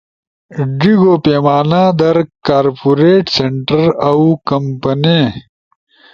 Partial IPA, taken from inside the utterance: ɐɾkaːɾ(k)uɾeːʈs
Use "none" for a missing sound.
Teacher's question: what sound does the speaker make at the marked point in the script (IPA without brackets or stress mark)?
p